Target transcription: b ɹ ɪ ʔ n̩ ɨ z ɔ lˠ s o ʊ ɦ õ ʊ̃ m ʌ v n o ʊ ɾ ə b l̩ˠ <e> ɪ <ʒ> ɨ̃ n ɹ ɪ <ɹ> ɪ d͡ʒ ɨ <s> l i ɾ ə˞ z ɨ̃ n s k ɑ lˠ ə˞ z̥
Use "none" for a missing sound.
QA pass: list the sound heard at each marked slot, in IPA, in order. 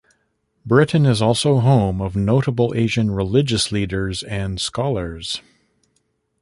e, ʒ, l, s

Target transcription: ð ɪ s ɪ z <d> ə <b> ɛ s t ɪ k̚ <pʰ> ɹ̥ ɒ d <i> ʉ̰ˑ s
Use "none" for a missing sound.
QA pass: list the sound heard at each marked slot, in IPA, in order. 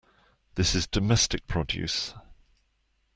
d, m, pʰ, j

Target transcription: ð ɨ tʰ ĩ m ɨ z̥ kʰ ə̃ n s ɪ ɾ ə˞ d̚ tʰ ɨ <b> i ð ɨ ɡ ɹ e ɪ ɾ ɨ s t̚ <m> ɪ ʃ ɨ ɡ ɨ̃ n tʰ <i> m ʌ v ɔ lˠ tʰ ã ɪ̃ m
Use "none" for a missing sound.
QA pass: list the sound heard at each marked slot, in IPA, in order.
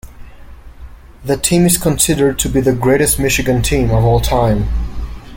b, m, ĩ

